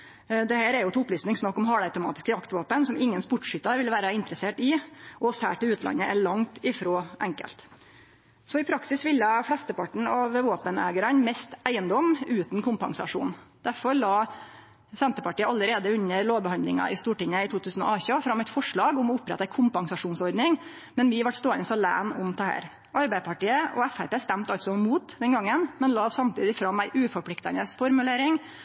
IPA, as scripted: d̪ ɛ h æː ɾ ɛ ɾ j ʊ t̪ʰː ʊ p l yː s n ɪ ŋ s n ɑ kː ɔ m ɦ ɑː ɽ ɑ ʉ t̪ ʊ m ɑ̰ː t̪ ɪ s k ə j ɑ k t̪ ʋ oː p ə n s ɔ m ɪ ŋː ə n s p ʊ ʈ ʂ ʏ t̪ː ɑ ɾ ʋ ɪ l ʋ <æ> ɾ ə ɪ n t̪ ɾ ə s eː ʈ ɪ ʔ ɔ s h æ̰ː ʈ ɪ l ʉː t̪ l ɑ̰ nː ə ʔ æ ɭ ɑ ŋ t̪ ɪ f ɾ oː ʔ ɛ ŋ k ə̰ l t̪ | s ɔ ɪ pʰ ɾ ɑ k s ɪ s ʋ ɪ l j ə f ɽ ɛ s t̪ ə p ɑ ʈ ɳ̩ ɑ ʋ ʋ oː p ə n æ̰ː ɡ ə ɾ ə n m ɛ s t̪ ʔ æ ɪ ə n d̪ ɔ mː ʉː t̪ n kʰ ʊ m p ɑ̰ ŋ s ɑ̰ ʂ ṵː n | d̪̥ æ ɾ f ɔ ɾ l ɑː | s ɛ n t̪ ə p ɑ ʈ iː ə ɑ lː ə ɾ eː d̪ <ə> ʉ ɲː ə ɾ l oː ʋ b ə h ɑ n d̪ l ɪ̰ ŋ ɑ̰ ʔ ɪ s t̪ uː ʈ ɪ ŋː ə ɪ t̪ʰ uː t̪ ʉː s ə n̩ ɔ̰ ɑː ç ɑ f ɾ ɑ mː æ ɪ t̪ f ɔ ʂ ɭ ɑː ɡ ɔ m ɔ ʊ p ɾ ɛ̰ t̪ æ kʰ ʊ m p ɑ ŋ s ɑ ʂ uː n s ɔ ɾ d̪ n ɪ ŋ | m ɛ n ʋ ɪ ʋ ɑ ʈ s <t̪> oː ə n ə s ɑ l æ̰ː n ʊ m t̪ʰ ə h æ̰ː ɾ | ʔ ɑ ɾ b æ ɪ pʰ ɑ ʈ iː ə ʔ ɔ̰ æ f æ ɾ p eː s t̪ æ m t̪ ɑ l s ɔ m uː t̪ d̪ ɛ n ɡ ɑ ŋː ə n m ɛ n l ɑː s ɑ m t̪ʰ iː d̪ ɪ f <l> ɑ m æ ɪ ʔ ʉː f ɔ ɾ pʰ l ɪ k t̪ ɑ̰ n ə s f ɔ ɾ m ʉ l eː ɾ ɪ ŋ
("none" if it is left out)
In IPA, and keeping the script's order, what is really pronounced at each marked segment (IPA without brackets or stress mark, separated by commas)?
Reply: æː, ə, t̪, ɾ